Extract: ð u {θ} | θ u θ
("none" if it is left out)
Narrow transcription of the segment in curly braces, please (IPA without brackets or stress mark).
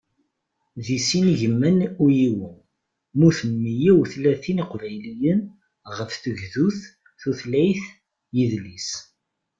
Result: θ